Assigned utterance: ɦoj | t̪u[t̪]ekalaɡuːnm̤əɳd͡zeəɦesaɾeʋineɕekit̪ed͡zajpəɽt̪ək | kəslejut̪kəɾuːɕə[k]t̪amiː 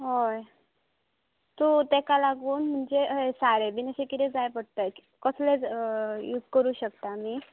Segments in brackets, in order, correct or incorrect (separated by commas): correct, correct